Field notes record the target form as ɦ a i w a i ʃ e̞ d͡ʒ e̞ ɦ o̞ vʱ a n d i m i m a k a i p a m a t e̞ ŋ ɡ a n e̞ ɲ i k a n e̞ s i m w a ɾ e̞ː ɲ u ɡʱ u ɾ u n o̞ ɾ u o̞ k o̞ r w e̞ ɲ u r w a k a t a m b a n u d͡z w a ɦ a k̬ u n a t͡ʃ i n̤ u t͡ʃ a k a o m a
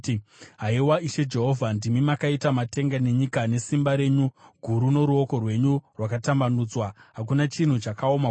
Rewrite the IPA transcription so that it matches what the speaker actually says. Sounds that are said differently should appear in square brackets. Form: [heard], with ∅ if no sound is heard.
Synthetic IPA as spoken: ɦ a i w a i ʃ e̞ d͡ʒ e̞ ɦ o̞ vʱ a n d i m i m a k a i [t] a m a t e̞ ŋ ɡ a n e̞ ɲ i k a n e̞ s i m [b] a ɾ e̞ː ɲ u ɡʱ u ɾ u n o̞ ɾ u o̞ k o̞ r w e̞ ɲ u r w a k a t a m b a n u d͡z w a ɦ a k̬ u n a t͡ʃ i n̤ u t͡ʃ a k a o m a